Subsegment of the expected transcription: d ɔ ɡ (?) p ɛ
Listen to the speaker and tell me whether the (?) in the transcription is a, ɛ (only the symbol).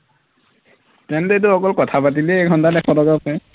a